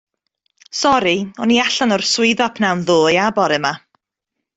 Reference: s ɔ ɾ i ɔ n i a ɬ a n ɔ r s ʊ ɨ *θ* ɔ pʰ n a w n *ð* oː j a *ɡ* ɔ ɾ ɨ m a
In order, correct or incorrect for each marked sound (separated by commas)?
incorrect, correct, incorrect